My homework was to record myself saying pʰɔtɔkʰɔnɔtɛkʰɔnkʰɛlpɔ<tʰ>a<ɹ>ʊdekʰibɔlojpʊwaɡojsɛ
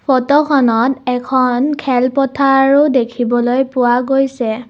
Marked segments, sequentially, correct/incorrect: correct, correct

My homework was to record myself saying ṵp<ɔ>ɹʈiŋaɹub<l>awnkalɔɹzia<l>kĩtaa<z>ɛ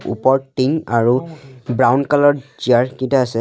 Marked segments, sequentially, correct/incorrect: correct, incorrect, incorrect, incorrect

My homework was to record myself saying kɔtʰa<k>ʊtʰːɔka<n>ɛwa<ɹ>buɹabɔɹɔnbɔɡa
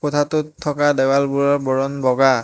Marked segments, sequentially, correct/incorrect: incorrect, incorrect, incorrect

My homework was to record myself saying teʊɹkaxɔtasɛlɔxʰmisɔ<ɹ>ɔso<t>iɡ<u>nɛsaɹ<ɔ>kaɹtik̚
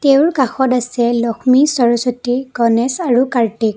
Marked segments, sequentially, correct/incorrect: correct, correct, incorrect, incorrect

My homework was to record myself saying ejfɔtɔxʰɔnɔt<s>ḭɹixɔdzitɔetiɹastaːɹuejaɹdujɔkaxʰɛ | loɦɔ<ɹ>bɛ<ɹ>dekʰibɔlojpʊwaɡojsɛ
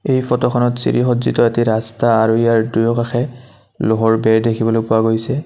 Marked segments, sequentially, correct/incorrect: correct, correct, correct

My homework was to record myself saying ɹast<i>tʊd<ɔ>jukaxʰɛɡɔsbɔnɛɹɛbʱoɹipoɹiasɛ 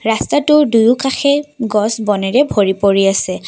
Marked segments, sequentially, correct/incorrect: incorrect, incorrect

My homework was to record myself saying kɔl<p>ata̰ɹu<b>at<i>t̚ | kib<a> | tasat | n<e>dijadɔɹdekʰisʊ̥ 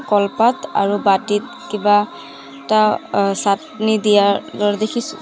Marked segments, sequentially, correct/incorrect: correct, correct, correct, correct, incorrect

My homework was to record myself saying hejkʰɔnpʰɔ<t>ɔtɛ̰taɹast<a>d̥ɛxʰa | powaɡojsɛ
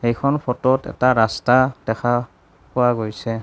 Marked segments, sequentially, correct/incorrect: correct, correct

